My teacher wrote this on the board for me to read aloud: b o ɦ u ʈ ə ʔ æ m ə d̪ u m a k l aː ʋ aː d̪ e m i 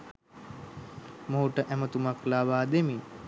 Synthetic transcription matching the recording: m o ɦ u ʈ ə ʔ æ m ə t̪ u m a k l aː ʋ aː d̪ e m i